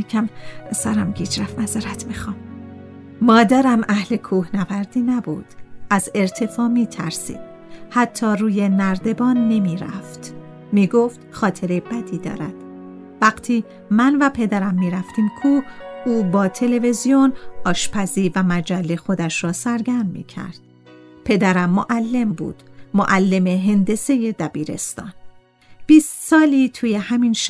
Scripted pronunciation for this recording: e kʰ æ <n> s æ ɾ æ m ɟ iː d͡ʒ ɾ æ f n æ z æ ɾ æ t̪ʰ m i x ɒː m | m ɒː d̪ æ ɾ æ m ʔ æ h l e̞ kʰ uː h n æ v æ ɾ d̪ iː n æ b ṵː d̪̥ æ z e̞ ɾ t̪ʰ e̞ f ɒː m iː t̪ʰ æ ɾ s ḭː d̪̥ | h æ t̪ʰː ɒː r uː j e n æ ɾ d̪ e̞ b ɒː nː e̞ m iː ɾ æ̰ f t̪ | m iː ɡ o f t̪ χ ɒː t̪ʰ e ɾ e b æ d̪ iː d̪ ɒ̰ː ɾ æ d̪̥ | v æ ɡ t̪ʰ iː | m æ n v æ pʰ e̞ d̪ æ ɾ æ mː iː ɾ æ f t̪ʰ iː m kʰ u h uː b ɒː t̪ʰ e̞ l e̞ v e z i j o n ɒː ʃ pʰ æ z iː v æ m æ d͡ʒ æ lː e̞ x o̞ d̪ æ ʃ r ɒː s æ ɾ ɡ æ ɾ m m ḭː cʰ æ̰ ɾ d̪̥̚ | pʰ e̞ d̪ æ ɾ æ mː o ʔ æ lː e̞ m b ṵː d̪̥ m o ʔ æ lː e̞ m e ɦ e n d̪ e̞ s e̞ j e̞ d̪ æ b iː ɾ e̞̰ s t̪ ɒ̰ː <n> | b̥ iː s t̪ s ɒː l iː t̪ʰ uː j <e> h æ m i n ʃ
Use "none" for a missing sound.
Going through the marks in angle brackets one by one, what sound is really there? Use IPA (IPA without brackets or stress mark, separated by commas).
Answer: m, n, e